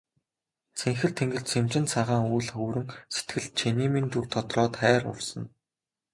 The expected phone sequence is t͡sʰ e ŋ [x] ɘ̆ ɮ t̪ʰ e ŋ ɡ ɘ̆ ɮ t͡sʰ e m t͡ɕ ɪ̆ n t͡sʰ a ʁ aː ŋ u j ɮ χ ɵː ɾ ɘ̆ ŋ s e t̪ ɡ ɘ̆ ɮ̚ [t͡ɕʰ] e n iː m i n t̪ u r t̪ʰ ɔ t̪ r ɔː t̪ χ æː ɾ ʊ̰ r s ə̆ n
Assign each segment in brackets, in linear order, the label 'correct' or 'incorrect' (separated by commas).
correct, correct